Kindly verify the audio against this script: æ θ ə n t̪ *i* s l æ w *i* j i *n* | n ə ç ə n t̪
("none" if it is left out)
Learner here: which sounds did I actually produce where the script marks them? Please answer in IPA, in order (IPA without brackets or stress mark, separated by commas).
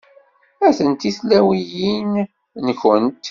i, i, n